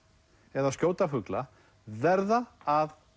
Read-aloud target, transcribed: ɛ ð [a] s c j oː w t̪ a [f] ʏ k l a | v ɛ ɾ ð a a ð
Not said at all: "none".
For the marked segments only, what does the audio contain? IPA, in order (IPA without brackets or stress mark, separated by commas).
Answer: a, f